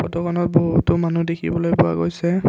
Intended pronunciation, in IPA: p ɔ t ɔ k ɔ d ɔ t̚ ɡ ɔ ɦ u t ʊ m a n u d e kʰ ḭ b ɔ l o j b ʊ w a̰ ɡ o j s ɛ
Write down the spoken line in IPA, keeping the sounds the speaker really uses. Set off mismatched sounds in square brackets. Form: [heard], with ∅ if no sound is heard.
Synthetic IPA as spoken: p ɔ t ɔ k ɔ [n] ɔ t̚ [b] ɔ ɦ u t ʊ m a n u d e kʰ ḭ b ɔ l o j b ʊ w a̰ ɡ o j s ɛ